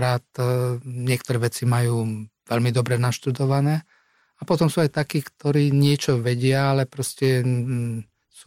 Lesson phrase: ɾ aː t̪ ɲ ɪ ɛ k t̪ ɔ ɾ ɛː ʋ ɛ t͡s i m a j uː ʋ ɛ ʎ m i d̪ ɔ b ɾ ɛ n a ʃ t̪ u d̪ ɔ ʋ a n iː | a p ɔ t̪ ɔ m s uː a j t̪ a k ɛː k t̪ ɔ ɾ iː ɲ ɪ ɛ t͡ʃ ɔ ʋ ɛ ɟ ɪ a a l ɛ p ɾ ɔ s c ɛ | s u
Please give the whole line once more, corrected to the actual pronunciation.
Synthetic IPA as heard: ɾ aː t̪ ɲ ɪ ɛ k t̪ ɔ ɾ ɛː ʋ ɛ t͡s i m a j uː ʋ ɛ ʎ m i d̪ ɔ b ɾ ɛ n a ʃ t̪ u d̪ ɔ ʋ a n ɛː | a p ɔ t̪ ɔ m s uː a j t̪ a k iː k t̪ ɔ ɾ iː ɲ ɪ ɛ t͡ʃ ɔ ʋ ɛ ɟ ɪ a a l ɛ p ɾ ɔ s c ɛ | s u